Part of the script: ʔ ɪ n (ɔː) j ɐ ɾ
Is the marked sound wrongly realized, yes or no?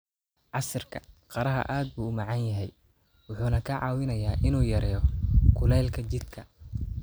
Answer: yes